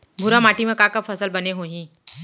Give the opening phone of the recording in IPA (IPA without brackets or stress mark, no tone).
bʱ